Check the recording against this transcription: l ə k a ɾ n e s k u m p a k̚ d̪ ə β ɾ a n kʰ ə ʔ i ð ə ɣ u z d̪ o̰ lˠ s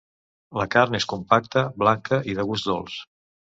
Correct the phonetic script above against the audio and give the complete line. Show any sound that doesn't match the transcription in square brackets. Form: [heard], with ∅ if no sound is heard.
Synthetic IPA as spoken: l ə k a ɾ n e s k u m p a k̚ [t̪] ə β [l] a [ŋ] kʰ ə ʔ i ð ə ɣ u z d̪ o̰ lˠ s